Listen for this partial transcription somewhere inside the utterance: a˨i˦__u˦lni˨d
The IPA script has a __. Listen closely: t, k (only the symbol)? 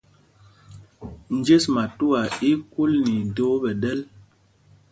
k